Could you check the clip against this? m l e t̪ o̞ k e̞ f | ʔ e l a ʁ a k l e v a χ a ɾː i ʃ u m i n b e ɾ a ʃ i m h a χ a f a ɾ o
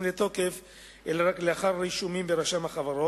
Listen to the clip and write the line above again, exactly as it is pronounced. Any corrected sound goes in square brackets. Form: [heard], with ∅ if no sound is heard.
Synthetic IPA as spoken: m l e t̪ o̞ k e̞ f | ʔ e l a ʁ a k l e [∅] a χ a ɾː i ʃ u m i [m] b e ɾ a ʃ [a] m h a χ a [v] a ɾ o